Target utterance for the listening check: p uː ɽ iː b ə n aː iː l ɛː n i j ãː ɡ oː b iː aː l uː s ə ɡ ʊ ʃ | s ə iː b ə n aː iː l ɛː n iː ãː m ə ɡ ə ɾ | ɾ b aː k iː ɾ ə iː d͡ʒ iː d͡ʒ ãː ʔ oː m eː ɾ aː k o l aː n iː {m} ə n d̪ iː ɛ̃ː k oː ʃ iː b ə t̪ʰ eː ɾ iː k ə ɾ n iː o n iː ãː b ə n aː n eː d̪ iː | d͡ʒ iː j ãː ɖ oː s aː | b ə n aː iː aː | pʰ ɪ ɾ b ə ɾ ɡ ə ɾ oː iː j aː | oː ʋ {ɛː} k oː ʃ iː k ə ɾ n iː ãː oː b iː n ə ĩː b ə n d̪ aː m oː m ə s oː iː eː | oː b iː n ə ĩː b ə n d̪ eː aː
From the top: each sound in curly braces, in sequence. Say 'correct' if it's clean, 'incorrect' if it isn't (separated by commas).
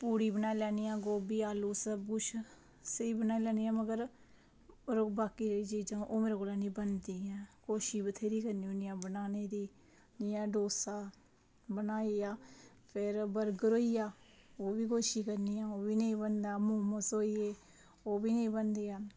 incorrect, incorrect